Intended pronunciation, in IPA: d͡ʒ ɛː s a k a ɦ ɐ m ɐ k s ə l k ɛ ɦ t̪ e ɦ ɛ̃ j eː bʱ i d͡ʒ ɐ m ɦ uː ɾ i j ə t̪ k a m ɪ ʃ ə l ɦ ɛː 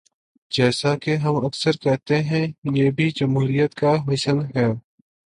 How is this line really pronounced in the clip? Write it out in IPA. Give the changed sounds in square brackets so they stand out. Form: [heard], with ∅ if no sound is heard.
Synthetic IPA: d͡ʒ ɛː s a k [e] ɦ ɐ m ɐ k s ə [ɾ] k ɛ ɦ t̪ e ɦ ɛ̃ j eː bʱ i d͡ʒ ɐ m ɦ uː ɾ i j ə t̪ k a m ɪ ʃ ə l ɦ ɛː